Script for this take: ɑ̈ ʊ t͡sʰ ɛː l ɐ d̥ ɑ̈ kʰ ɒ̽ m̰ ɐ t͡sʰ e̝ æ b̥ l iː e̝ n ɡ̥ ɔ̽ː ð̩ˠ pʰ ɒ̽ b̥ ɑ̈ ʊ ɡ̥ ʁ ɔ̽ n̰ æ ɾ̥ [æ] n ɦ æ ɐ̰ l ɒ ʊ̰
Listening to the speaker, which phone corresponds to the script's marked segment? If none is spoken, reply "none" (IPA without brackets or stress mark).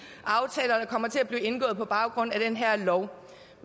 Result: e